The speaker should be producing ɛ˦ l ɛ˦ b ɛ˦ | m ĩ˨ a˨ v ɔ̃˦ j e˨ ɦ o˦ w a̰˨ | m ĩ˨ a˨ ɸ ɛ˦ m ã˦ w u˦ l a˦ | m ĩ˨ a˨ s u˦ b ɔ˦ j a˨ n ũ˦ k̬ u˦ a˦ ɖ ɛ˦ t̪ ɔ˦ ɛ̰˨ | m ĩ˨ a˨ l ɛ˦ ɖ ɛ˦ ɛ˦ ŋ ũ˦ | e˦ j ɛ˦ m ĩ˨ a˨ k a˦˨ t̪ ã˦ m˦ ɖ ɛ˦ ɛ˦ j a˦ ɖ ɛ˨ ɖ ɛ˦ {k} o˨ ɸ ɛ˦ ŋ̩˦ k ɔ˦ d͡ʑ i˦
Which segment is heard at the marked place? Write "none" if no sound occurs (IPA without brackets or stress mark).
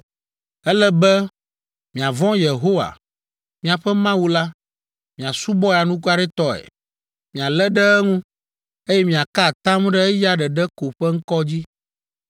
k